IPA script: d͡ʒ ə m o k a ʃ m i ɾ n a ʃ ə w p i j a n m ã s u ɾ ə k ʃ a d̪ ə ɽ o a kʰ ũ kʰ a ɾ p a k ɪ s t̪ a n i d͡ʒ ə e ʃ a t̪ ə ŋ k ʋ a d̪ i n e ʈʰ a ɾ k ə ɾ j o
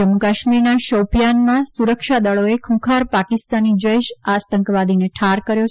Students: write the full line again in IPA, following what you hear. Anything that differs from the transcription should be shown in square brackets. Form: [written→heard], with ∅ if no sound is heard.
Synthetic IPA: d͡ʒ ə m [o→u] k a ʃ m i ɾ n a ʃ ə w p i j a n m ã s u ɾ ə k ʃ a d̪ ə [ɽ→ɭ] o [a→e] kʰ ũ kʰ a ɾ p a k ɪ s t̪ a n i d͡ʒ ə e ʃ a t̪ ə ŋ k ʋ a d̪ i n e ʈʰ a ɾ k ə ɾ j o